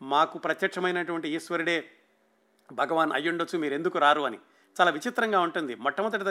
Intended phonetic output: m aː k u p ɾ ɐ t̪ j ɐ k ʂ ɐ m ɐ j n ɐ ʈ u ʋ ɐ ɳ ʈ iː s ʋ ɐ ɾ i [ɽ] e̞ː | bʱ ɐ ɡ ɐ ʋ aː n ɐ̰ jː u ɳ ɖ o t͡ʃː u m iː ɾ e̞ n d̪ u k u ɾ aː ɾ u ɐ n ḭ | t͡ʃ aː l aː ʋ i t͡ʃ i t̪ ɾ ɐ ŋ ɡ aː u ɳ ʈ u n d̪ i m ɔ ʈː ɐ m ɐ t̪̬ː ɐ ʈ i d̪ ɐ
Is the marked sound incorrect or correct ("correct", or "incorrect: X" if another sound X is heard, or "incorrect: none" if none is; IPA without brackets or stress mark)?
correct